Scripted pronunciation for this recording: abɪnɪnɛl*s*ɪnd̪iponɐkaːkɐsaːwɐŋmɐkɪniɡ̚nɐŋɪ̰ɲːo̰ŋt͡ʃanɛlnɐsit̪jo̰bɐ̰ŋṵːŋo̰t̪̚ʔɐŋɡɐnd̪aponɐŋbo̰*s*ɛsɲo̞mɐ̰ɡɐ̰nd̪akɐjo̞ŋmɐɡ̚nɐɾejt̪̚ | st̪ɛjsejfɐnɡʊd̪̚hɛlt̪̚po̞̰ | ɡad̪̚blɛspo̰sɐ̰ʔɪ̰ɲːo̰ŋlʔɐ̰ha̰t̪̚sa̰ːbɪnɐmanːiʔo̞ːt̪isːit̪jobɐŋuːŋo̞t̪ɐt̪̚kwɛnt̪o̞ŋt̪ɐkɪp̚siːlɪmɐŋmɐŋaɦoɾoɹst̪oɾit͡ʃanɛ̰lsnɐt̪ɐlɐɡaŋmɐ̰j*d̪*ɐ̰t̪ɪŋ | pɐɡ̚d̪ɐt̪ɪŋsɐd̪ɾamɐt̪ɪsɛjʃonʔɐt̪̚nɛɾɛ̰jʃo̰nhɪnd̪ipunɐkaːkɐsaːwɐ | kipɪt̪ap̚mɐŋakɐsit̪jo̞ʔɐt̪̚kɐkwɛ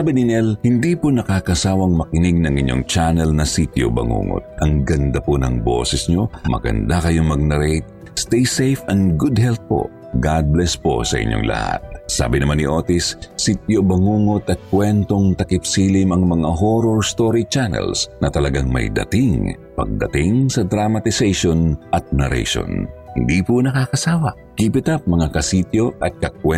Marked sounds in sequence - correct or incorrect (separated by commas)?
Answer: incorrect, correct, correct